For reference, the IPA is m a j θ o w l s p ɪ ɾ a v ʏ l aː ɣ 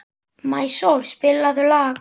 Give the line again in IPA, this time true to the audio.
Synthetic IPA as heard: m a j s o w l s p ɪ l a ð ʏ l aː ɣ